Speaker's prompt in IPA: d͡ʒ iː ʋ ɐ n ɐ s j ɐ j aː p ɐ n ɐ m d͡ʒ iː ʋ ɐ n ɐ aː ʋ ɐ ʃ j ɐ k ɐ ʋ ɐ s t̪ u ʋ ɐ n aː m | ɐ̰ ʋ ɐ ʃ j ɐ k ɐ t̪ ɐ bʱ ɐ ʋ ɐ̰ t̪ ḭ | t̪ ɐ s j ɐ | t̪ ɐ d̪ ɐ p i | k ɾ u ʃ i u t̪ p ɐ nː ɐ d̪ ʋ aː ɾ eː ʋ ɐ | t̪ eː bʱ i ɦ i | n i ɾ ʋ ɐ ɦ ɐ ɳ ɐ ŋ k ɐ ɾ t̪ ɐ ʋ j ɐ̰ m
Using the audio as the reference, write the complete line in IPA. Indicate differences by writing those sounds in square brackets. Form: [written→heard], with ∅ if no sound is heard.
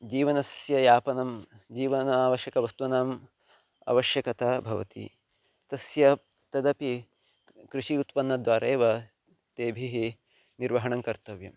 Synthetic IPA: d͡ʒ iː ʋ ɐ n ɐ s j ɐ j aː p ɐ n ɐ m d͡ʒ iː ʋ ɐ n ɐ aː ʋ ɐ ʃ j ɐ k ɐ ʋ ɐ s t̪ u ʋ ɐ n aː m | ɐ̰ ʋ ɐ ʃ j ɐ k ɐ t̪ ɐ bʱ ɐ ʋ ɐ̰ t̪ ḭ | t̪ ɐ s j ɐ | t̪ ɐ d̪ ɐ p i | k ɾ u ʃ i u t̪ p ɐ nː ɐ d̪ ʋ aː ɾ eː ʋ ɐ | t̪ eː bʱ i ɦ i | n i ɾ ʋ ɐ ɦ ɐ ɳ ɐ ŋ k ɐ ɾ t̪ ɐ ʋ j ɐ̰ m